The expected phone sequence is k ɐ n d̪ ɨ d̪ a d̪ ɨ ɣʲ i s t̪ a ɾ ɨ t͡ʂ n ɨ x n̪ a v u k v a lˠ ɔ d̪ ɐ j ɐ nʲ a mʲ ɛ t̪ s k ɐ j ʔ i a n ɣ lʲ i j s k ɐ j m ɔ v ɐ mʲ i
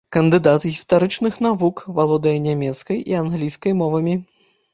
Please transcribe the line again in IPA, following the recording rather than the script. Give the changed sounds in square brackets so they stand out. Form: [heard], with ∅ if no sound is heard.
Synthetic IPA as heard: k ɐ n d̪ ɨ d̪ a [t̪] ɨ ɣʲ i s t̪ a ɾ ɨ t͡ʂ n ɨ x n̪ a v u k v a lˠ ɔ d̪ ɐ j ɐ nʲ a mʲ ɛ t̪ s k ɐ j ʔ i a n ɣ lʲ i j s k ɐ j m ɔ v ɐ mʲ i